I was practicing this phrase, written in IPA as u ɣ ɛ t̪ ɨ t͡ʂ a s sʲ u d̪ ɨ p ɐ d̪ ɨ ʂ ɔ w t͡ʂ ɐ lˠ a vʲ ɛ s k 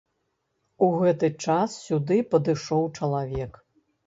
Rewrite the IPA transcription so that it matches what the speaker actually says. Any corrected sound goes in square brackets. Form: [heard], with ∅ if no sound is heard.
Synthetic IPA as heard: u ɣ ɛ t̪ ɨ t͡ʂ a s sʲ u d̪ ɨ p ɐ d̪ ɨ ʂ ɔ w t͡ʂ ɐ lˠ a vʲ ɛ [∅] k